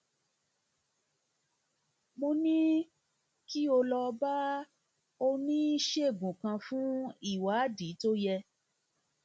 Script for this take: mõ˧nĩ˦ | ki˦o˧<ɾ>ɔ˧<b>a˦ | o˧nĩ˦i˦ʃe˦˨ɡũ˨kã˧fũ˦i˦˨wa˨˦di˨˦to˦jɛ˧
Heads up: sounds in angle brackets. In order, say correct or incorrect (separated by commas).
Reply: incorrect, correct